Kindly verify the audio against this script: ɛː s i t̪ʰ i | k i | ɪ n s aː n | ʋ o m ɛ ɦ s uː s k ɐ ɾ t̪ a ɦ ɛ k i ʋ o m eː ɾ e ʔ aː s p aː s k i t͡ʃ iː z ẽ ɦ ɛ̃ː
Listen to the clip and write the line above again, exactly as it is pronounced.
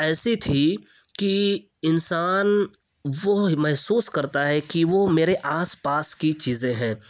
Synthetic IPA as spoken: ɛː s i t̪ʰ i | k i | ɪ n s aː n | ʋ o m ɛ ɦ s uː s k ɐ ɾ t̪ a ɦ ɛ k i ʋ o m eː ɾ e ʔ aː s p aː s k i t͡ʃ iː z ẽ ɦ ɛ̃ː

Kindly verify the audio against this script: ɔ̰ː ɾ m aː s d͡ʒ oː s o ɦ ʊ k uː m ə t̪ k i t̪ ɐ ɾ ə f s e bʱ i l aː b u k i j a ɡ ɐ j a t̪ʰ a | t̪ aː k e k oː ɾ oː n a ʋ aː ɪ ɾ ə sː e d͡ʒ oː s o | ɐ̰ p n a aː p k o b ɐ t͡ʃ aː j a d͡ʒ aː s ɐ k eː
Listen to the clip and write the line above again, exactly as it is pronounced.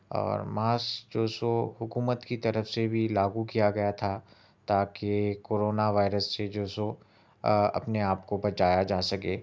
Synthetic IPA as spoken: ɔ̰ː ɾ m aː s d͡ʒ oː s o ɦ ʊ k uː m ə t̪ k i t̪ ɐ ɾ ə f s e bʱ i l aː ɡ u k i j a ɡ ɐ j a t̪ʰ a | t̪ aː k e k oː ɾ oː n a ʋ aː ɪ ɾ ə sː e d͡ʒ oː s o | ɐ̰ p n e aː p k o b ɐ t͡ʃ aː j a d͡ʒ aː s ɐ k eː

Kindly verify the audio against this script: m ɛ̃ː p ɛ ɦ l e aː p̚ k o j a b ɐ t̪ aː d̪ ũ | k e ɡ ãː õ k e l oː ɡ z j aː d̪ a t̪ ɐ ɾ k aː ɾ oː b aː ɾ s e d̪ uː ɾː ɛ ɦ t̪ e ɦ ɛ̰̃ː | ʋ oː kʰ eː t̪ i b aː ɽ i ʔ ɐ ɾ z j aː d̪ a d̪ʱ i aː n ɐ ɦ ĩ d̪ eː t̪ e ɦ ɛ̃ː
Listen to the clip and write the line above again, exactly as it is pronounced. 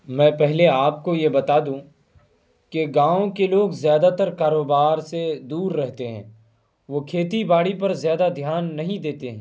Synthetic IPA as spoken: m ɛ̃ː p ɛ ɦ l e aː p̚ k o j e b ɐ t̪ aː d̪ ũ | k e ɡ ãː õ k e l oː ɡ z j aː d̪ a t̪ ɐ ɾ k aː ɾ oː b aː ɾ s e d̪ uː ɾː ɛ ɦ t̪ e ɦ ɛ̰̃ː | ʋ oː kʰ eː t̪ i b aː ɽ i p ɐ ɾ z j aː d̪ a d̪ʱ j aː nː ɐ ɦ ĩ d̪ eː t̪ e ɦ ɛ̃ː

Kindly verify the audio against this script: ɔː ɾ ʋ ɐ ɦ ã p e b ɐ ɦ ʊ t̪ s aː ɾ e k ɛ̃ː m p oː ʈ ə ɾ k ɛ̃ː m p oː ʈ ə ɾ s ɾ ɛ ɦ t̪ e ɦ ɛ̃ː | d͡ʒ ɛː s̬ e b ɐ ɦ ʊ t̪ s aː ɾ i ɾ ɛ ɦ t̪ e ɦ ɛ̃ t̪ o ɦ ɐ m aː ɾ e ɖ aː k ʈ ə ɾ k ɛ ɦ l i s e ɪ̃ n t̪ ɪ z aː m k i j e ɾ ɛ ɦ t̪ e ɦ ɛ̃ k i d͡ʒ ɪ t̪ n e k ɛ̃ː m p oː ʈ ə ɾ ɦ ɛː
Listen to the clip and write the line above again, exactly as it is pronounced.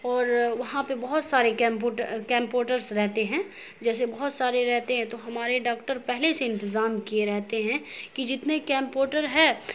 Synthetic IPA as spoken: ɔː ɾ ʋ ɐ ɦ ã p e b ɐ ɦ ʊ t̪ s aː ɾ e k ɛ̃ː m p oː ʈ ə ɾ k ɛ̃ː m p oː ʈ ə ɾ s ɾ ɛ ɦ t̪ e ɦ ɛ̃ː | d͡ʒ ɛː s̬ e b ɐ ɦ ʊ t̪ s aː ɾ e ɾ ɛ ɦ t̪ e ɦ ɛ̃ t̪ o ɦ ɐ m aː ɾ e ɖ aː k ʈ ə ɾ p ɛ ɦ l e s e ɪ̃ n t̪ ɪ z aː m k i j e ɾ ɛ ɦ t̪ e ɦ ɛ̃ k i d͡ʒ ɪ t̪ n e k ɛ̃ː m p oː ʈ ə ɾ ɦ ɛː

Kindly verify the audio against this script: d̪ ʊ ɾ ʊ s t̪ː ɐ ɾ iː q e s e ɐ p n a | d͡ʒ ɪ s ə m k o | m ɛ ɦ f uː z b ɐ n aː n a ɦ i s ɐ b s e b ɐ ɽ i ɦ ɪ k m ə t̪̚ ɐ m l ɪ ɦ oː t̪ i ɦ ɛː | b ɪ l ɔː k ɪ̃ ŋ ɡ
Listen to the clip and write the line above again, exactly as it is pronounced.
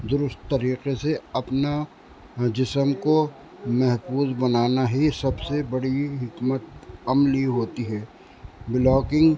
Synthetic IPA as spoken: d̪ ʊ ɾ ʊ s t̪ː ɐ ɾ iː q e s e ɐ p n a | d͡ʒ ɪ s ə m k o | m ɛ ɦ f uː z b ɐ n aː n a ɦ i s ɐ b s e b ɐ ɽ i ɦ ɪ k m ə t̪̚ ɐ m l i ɦ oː t̪ i ɦ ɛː | b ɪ l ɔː k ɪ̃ ŋ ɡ

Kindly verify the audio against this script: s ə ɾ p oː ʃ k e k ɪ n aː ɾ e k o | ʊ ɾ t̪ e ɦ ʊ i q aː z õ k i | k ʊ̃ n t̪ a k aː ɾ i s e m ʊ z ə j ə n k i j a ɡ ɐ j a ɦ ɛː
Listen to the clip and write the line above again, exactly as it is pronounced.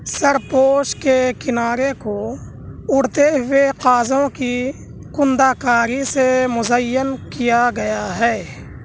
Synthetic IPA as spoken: s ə ɾ p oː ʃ k e k ɪ n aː ɾ e k o | ʊ ɽ t̪ e ɦ ʊ e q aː z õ k i | k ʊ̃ n d̪ a k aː ɾ i s e m ʊ z ə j ə n k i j a ɡ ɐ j a ɦ ɛː

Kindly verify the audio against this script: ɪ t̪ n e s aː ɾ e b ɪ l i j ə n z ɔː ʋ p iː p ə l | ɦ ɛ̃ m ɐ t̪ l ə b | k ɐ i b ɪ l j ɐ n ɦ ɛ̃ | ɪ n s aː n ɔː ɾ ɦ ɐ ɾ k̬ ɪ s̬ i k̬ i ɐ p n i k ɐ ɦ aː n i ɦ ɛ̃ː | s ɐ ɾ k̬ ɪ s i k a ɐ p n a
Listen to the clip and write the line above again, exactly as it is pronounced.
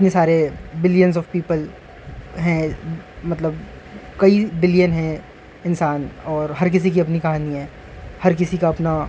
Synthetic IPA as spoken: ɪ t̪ n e s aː ɾ e b ɪ l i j ə n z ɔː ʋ p iː p ə l | ɦ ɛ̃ m ɐ t̪ l ə b | k ɐ i b ɪ l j ə n ɦ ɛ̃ | ɪ n s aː n ɔː ɾ ɦ ɐ ɾ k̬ ɪ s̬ i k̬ i ɐ p n i k ɐ ɦ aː n i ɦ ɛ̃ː | h ɐ ɾ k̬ ɪ s i k a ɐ p n a

